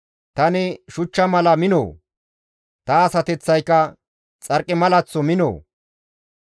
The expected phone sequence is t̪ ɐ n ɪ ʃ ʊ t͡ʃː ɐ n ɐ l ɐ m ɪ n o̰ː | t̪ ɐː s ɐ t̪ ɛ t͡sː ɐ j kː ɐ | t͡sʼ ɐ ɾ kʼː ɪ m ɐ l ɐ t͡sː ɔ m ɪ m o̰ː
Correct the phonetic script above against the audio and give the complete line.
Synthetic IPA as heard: t̪ ɐ n ɪ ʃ ʊ t͡ʃː ɐ m ɐ l ɐ m ɪ n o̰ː | t̪ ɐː s ɐ t̪ ɛ t͡sː ɐ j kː ɐ | t͡sʼ ɐ ɾ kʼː ɪ m ɐ l ɐ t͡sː ɔ m ɪ n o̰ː